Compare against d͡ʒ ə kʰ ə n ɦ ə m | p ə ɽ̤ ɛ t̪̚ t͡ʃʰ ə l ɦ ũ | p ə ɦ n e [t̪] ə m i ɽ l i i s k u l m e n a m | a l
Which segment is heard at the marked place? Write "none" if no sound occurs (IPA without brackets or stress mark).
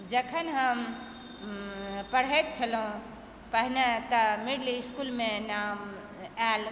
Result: t̪